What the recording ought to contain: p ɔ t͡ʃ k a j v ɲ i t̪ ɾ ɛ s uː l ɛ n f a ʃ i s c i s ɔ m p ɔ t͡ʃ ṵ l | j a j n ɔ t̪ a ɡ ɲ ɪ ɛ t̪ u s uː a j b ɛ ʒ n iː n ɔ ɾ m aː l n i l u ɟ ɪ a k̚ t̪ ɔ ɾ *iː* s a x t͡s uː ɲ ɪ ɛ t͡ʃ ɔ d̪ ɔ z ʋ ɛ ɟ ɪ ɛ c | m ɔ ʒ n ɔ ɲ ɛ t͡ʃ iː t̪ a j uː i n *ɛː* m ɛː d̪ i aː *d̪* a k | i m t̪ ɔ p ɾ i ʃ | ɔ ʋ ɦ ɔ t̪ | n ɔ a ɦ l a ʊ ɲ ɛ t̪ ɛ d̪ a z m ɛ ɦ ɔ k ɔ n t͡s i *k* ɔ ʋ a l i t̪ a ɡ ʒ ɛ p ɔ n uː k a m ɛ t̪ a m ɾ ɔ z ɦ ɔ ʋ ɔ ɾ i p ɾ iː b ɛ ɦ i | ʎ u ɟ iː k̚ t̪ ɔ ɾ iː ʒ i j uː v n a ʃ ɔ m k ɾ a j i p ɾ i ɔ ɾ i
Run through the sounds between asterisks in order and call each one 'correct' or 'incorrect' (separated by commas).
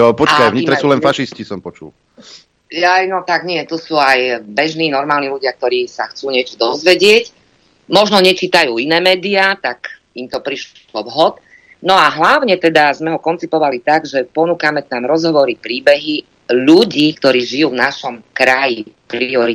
correct, correct, incorrect, incorrect